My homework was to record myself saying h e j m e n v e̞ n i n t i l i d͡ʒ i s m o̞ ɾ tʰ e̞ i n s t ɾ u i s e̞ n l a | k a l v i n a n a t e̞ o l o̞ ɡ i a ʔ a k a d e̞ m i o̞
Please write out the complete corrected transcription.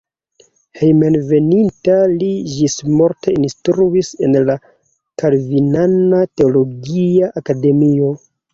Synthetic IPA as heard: h e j m e n v e̞ n i n t a l i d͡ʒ i s m o̞ ɾ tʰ e̞ i n s t ɾ u i s e̞ n l a | k a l v i n a n a t e̞ o l o̞ ɡ i a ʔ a k a d e̞ m i o̞